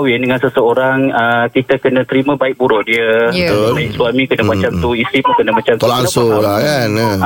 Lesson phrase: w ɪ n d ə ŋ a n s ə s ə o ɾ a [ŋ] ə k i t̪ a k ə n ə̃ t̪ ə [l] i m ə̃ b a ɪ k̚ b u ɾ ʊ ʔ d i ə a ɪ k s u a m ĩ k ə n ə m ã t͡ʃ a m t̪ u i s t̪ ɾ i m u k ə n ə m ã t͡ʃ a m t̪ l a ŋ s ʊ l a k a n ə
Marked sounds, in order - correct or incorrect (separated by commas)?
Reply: correct, incorrect